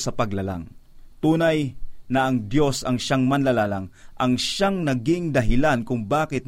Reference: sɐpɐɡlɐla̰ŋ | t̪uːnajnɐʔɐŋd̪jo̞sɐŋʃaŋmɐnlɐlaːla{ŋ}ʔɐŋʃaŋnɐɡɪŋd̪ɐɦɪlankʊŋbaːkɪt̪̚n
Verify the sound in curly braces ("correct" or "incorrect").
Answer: correct